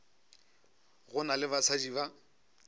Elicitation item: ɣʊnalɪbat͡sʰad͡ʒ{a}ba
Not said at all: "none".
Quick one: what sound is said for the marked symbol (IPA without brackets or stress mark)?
i